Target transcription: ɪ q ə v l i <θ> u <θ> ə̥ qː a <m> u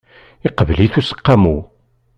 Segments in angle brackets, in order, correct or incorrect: correct, incorrect, correct

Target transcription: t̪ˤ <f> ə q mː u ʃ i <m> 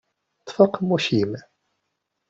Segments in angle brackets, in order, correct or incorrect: correct, correct

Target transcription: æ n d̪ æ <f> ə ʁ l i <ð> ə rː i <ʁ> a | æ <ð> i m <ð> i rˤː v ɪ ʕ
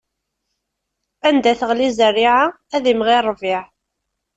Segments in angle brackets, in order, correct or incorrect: incorrect, incorrect, incorrect, correct, incorrect

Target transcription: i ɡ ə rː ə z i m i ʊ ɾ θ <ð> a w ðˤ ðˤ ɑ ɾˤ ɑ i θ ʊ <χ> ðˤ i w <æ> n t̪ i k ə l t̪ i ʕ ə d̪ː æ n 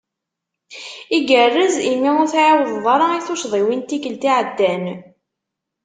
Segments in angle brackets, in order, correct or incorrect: incorrect, incorrect, incorrect

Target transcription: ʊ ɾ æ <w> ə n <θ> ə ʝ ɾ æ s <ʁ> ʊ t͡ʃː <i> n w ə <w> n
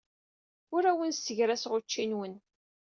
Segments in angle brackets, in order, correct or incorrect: correct, incorrect, correct, correct, incorrect

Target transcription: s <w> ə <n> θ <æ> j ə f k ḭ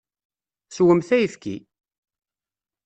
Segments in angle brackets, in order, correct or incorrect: correct, incorrect, correct

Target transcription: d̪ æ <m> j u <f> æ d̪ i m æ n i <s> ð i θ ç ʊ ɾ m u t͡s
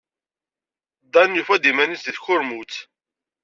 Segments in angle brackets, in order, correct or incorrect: incorrect, correct, correct

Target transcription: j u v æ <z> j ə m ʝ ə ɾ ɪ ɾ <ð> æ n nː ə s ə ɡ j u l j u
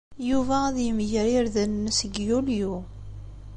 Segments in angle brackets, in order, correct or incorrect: incorrect, correct

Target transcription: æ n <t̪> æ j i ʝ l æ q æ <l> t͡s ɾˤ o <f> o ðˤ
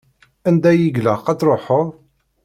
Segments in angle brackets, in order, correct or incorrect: incorrect, incorrect, incorrect

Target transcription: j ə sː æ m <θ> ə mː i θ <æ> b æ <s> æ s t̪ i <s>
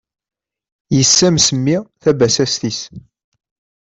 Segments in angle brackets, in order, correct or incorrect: incorrect, correct, correct, correct

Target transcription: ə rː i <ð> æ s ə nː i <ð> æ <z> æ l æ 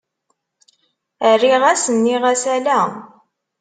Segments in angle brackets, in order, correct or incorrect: incorrect, incorrect, incorrect

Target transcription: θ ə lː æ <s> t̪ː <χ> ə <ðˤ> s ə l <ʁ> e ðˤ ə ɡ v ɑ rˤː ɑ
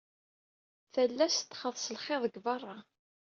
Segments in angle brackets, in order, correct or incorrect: correct, correct, correct, incorrect

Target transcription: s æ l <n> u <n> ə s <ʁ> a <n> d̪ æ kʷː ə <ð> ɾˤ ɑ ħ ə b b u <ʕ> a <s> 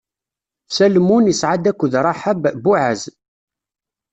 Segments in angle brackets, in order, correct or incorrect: incorrect, correct, incorrect, incorrect, correct, correct, incorrect

